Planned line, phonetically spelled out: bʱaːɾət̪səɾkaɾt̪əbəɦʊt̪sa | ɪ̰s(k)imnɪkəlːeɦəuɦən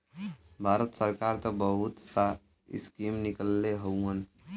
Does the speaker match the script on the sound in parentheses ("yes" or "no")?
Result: yes